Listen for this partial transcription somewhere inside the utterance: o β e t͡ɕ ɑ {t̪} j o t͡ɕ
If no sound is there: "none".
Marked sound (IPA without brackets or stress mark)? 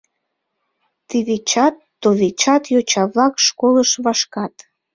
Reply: t̪